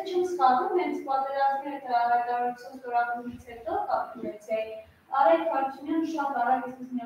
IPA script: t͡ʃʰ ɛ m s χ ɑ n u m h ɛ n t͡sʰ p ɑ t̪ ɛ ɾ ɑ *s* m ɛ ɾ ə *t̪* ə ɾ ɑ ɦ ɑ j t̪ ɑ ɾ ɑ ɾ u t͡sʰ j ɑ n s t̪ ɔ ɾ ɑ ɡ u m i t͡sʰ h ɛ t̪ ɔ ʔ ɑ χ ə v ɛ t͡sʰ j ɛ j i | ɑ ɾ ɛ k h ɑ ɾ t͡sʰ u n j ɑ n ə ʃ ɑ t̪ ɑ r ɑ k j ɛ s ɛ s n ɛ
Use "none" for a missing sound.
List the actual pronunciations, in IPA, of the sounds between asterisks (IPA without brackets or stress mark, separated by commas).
z, t̪